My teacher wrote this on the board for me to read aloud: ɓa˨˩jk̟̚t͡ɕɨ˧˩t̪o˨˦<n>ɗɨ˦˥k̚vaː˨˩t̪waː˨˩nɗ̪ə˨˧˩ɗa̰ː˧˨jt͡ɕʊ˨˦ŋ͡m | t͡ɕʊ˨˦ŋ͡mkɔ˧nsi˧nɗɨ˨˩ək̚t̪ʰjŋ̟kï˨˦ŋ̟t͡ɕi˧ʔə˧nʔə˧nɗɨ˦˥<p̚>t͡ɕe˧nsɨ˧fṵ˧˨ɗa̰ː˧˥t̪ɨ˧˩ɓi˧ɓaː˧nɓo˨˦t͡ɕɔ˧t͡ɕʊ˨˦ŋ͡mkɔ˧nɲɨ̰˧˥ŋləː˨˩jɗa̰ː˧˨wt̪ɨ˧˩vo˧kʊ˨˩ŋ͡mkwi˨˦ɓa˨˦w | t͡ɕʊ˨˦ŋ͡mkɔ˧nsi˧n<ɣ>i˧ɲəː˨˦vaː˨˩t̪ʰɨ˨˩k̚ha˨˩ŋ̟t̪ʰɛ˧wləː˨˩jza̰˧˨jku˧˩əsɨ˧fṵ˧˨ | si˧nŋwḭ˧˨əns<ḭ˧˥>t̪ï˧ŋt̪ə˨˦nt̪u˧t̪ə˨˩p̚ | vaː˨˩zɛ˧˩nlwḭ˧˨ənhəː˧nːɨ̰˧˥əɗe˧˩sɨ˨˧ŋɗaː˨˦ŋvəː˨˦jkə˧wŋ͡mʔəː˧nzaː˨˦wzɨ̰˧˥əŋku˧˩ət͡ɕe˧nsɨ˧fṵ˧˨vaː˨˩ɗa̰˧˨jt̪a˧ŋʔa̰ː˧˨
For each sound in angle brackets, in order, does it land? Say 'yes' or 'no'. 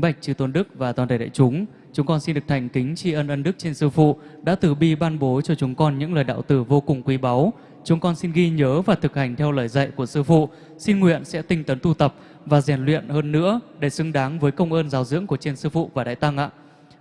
yes, no, yes, no

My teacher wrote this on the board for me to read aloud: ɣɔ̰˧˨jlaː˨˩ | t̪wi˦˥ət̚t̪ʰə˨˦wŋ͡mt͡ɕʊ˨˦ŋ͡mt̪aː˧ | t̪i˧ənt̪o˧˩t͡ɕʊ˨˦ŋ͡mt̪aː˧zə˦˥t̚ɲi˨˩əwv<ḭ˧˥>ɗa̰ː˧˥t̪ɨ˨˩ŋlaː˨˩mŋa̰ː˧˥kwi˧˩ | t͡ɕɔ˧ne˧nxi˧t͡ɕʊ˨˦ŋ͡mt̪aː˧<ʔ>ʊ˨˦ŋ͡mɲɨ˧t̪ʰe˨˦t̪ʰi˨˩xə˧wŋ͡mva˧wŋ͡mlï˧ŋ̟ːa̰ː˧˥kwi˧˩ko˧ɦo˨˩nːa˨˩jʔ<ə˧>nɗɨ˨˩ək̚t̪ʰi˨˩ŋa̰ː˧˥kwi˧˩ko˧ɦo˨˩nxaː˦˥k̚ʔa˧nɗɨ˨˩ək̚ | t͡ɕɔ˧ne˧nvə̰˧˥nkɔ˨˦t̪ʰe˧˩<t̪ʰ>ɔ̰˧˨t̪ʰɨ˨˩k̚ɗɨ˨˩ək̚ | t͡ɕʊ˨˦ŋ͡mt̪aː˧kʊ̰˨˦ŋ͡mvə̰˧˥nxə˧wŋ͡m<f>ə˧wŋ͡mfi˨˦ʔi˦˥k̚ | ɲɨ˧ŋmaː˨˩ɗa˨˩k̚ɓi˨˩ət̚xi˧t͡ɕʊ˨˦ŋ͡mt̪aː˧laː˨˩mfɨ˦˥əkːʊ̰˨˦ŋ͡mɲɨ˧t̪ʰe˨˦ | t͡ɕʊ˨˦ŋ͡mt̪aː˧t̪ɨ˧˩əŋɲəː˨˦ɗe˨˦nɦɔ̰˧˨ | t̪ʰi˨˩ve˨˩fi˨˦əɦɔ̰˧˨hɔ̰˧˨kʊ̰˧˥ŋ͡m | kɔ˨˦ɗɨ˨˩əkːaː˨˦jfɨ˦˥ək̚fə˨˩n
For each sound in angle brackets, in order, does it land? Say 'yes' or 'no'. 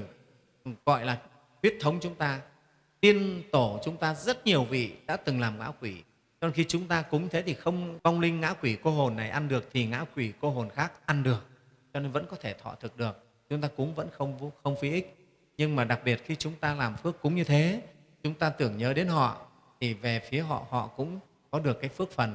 no, no, no, yes, no

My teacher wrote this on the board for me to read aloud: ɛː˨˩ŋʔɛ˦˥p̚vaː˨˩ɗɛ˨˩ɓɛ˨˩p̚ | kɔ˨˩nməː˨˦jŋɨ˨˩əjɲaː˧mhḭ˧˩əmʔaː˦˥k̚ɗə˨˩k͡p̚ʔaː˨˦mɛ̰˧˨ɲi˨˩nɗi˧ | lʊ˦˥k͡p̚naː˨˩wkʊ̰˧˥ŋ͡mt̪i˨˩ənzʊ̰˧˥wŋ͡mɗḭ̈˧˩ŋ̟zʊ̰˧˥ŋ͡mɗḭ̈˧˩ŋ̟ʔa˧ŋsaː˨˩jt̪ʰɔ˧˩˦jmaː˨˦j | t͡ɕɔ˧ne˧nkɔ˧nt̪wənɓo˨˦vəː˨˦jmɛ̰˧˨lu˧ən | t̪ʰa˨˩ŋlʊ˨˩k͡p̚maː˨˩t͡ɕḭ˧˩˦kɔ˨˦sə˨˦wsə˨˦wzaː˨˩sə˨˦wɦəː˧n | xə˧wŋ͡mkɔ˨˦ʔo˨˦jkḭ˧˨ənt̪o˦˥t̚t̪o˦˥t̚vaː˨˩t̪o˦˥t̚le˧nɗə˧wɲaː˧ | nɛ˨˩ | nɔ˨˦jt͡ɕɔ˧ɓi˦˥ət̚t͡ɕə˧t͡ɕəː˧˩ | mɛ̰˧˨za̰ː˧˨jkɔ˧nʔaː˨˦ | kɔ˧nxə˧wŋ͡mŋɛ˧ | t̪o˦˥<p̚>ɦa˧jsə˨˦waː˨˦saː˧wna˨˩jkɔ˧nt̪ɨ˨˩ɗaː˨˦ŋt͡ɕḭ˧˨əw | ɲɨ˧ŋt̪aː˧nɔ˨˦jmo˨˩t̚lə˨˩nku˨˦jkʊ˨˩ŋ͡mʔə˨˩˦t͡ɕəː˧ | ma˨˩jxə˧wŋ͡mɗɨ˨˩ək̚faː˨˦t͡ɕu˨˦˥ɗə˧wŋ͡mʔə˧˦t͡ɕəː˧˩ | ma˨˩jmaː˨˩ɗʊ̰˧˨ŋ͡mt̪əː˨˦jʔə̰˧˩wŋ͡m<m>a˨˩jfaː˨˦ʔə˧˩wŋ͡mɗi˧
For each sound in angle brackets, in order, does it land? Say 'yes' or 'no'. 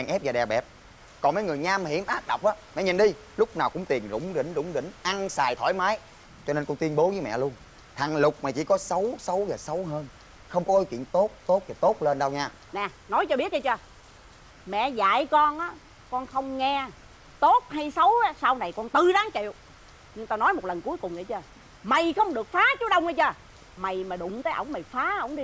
no, yes

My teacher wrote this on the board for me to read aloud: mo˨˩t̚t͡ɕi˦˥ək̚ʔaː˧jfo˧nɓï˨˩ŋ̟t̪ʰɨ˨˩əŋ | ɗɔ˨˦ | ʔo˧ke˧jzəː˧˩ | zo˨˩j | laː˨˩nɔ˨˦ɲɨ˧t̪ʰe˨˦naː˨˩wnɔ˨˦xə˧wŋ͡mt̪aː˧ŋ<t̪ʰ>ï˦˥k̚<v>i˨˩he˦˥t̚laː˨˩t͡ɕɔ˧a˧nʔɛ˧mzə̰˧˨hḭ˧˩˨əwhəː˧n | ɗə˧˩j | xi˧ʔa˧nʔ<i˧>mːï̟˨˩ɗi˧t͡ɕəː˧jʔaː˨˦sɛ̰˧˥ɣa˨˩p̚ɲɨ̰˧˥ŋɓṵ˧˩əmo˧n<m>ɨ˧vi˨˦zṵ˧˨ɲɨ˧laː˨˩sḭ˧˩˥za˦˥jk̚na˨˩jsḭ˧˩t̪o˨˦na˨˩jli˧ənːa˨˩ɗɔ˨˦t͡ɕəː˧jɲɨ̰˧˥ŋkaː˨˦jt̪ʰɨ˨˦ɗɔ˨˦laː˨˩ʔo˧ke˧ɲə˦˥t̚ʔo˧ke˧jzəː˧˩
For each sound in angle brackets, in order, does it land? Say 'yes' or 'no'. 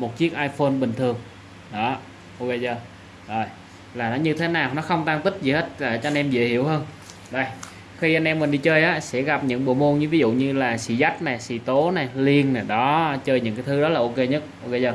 no, no, no, no

